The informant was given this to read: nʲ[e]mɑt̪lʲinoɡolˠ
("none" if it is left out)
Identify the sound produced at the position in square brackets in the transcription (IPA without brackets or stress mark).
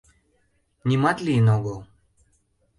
i